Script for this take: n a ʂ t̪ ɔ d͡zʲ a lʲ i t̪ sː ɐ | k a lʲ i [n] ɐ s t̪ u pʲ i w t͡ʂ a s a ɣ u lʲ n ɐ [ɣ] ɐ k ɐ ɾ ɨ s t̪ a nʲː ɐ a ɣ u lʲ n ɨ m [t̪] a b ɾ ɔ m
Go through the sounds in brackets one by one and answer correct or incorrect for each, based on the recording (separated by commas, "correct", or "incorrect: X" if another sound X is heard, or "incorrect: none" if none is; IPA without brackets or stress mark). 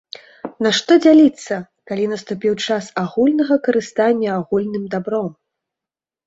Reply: correct, correct, incorrect: d̪